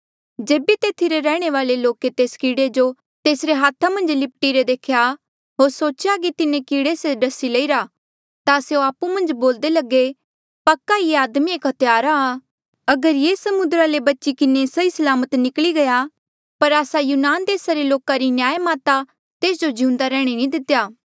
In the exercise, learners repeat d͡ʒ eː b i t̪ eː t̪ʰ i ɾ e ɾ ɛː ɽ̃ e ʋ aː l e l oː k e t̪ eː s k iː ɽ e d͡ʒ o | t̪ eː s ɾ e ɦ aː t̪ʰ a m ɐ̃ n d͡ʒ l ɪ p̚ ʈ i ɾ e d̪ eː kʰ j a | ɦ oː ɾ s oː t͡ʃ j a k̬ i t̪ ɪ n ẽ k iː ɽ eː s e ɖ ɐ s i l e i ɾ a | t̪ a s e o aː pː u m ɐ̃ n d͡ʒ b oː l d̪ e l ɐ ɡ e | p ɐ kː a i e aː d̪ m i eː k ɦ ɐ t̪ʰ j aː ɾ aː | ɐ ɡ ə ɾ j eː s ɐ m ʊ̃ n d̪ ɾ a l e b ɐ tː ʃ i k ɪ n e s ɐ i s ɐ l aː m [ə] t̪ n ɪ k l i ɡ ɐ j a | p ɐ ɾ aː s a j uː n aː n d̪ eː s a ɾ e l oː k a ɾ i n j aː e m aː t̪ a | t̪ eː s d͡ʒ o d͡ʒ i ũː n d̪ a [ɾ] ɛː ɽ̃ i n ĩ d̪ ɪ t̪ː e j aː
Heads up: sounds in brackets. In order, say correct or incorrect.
correct, correct

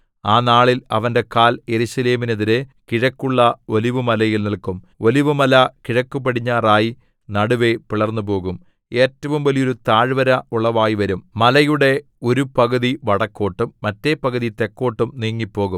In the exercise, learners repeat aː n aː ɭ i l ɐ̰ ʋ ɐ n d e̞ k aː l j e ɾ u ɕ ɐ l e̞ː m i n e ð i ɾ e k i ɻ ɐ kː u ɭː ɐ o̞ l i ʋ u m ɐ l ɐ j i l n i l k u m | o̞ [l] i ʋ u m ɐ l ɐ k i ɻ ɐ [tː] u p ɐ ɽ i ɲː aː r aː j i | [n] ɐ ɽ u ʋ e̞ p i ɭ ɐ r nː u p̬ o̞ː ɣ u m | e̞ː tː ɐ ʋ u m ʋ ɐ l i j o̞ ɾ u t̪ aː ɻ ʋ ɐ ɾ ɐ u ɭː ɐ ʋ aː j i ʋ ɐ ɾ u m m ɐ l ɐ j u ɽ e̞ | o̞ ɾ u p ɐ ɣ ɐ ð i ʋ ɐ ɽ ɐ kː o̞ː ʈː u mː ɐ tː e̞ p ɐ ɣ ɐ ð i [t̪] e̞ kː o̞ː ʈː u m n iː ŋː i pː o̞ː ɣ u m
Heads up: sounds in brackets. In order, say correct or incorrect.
correct, incorrect: kː, correct, correct

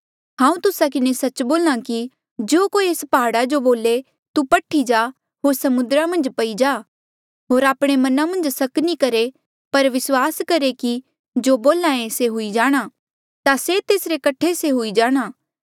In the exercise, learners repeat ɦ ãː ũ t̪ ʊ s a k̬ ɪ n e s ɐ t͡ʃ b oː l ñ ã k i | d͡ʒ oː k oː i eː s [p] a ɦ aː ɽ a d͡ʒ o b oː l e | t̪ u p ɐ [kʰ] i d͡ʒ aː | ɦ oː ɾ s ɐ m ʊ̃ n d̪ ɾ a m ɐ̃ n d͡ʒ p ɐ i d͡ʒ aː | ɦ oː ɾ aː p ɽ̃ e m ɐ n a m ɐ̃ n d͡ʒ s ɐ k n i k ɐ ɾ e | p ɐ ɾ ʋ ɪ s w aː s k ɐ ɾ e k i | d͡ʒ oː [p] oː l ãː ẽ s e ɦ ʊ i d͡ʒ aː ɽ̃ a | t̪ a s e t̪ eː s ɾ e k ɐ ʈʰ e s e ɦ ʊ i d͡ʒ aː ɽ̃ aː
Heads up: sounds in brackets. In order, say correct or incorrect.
correct, incorrect: ʈʰ, incorrect: b

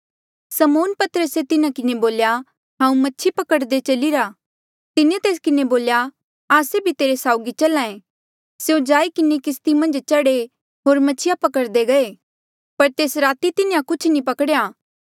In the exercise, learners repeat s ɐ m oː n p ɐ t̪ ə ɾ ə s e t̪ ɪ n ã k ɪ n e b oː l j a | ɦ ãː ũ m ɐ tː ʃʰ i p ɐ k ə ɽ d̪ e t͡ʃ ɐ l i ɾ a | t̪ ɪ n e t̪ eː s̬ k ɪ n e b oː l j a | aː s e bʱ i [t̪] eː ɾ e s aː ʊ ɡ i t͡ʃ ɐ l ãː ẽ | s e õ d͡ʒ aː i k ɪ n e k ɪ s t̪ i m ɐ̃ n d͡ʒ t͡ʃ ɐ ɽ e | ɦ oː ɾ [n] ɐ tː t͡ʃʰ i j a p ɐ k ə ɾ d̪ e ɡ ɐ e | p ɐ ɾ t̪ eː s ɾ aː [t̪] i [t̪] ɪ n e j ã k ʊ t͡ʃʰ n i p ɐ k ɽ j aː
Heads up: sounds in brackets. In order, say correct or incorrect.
correct, incorrect: m, correct, correct

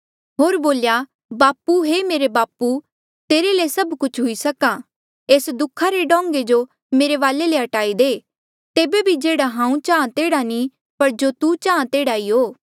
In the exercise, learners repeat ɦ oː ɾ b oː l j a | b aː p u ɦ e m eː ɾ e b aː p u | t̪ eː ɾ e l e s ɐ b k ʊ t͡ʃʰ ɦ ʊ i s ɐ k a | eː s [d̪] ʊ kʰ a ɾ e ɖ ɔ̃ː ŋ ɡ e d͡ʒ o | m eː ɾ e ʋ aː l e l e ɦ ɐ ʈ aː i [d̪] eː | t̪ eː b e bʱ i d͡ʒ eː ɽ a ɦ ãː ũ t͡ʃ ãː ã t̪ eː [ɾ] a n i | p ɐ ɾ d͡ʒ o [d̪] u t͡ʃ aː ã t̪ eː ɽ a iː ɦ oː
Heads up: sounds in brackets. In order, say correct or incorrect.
correct, correct, incorrect: ɽ, incorrect: t̪

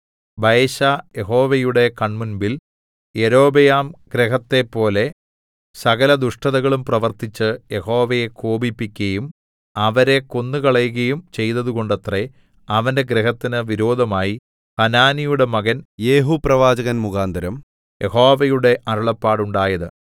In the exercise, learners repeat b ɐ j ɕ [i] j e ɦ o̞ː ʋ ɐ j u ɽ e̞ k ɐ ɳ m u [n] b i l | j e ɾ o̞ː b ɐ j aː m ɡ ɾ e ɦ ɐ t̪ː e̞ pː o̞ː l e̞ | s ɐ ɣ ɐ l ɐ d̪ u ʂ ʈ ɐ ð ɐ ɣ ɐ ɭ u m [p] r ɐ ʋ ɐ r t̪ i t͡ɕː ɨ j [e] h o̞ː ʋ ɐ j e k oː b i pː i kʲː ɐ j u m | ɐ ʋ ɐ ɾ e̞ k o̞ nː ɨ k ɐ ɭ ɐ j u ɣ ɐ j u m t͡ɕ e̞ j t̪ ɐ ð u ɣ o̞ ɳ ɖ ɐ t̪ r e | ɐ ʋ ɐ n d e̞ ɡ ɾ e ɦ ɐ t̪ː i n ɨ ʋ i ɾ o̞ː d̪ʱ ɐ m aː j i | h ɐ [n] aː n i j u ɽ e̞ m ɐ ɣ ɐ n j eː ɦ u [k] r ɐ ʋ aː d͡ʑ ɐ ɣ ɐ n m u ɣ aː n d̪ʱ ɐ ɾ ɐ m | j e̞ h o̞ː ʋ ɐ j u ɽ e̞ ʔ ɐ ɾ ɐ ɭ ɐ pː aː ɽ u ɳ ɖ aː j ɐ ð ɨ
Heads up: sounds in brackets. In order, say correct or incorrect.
incorrect: a, correct, correct, correct, correct, incorrect: p

